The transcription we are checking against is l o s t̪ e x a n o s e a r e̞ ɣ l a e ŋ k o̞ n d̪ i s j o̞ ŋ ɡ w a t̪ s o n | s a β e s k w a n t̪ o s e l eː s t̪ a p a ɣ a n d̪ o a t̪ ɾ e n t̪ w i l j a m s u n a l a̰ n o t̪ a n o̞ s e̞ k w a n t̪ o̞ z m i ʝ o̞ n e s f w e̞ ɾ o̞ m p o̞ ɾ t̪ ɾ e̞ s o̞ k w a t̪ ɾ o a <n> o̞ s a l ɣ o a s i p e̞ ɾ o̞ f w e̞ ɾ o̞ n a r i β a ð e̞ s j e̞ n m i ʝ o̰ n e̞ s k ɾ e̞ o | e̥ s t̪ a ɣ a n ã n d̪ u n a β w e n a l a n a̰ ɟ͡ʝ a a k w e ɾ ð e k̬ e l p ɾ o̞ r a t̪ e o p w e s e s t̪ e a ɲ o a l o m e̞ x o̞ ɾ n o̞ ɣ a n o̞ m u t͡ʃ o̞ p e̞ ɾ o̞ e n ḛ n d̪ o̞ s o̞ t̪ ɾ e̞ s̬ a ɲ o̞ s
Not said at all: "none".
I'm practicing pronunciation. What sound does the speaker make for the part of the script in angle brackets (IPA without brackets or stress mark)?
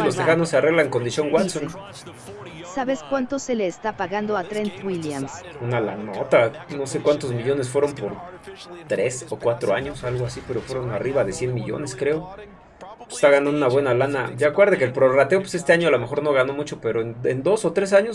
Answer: ɲ